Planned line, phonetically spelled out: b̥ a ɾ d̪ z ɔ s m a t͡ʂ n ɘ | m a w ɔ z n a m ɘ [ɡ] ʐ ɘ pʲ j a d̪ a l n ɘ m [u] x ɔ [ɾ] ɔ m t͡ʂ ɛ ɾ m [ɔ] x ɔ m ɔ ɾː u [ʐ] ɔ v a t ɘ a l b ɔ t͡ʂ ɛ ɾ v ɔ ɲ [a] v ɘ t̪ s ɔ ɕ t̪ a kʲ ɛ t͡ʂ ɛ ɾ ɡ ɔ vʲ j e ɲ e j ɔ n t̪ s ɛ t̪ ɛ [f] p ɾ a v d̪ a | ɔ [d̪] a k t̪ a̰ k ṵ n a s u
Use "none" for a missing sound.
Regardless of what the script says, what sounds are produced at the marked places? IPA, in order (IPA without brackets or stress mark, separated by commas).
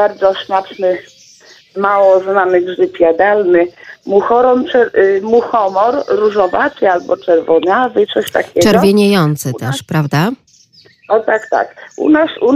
ɡ, u, ɾ, u, ʐ, a, ʂ, t̪